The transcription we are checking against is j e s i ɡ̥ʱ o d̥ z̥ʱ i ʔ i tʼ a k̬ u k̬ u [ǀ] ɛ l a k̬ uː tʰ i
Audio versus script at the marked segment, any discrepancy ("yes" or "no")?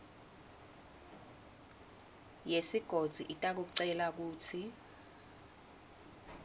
no